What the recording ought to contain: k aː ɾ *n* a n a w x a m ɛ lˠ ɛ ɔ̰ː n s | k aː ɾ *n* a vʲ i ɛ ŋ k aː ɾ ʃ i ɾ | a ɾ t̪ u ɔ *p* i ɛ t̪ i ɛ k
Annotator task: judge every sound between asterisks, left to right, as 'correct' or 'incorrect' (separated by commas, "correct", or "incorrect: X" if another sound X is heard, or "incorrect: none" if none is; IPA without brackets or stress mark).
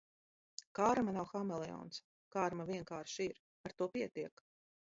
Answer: incorrect: m, incorrect: m, correct